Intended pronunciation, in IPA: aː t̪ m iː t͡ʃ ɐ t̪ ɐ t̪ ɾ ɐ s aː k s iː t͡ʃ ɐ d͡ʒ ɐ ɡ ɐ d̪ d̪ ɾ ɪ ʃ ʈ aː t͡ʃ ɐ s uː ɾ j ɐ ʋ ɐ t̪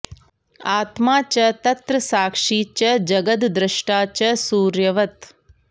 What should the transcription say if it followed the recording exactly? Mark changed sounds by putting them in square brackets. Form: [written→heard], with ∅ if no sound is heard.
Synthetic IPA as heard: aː t̪ m [iː→aː] t͡ʃ ɐ t̪ ɐ t̪ ɾ ɐ s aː k [s→ʂ] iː t͡ʃ ɐ d͡ʒ ɐ ɡ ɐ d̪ d̪ ɾ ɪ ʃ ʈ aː t͡ʃ ɐ s uː ɾ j ɐ ʋ ɐ t̪